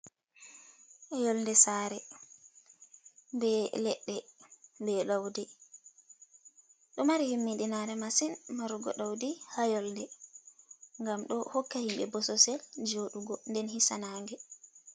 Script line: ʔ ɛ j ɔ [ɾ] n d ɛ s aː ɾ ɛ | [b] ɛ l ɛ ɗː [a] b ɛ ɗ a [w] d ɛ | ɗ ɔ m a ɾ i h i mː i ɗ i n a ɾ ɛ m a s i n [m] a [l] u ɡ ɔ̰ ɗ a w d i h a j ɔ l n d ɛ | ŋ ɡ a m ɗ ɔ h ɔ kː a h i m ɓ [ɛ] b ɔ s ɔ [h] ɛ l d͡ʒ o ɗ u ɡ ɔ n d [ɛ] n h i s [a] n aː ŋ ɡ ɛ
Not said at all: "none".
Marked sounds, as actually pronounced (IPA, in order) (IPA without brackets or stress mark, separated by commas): l, b, ɛ, w, m, ɾ, ɛ, s, ɛ, a